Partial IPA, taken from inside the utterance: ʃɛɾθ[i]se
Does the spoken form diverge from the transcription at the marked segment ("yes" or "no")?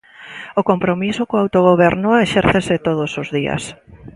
yes